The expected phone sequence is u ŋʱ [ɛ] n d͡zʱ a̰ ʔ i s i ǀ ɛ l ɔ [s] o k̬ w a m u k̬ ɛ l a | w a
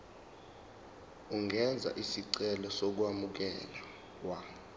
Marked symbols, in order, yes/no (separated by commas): yes, yes